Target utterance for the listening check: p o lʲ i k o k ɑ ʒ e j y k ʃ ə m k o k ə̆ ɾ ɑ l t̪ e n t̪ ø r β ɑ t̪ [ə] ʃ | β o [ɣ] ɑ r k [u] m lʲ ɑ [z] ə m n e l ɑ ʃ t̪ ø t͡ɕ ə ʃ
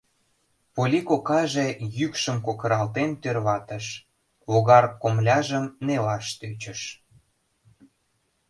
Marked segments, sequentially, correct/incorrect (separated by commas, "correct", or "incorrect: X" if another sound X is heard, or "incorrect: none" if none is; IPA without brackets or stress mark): correct, correct, incorrect: o, incorrect: ʒ